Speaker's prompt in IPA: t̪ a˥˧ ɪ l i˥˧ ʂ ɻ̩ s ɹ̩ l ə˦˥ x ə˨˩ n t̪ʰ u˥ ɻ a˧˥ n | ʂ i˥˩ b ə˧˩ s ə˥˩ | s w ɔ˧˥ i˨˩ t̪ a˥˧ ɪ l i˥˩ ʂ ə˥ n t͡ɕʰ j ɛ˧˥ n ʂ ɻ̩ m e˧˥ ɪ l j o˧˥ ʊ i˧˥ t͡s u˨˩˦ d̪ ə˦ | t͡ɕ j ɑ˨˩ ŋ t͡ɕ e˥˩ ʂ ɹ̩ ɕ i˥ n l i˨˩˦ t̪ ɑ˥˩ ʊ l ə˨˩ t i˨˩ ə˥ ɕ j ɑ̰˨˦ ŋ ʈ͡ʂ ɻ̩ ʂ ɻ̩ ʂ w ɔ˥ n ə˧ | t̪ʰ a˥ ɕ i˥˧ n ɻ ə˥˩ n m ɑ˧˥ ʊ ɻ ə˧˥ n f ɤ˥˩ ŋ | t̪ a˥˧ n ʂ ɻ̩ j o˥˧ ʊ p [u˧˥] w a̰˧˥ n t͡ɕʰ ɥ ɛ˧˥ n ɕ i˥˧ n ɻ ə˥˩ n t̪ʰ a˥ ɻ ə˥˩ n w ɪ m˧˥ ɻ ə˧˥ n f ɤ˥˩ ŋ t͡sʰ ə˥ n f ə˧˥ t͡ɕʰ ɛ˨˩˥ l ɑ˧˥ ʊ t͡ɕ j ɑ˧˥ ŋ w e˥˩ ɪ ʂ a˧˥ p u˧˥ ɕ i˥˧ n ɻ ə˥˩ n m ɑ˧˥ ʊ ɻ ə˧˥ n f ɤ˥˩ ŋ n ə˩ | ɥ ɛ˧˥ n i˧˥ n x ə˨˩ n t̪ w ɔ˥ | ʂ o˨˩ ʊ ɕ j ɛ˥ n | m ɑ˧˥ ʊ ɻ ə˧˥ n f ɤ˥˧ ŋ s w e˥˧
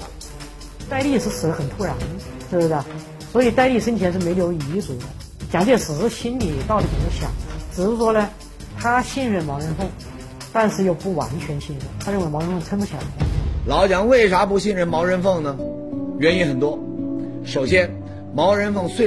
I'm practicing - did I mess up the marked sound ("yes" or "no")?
yes